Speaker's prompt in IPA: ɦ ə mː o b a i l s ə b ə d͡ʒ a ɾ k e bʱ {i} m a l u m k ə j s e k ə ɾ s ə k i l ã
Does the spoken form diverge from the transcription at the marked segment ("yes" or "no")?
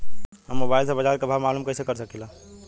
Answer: yes